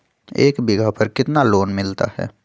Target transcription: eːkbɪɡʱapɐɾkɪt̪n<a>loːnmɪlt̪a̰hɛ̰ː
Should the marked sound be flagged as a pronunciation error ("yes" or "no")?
no